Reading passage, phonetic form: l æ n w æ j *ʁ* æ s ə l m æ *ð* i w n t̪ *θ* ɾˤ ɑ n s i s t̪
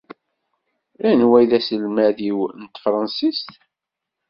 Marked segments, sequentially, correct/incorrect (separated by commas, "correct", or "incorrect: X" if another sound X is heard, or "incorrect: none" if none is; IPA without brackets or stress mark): incorrect: ð, correct, incorrect: f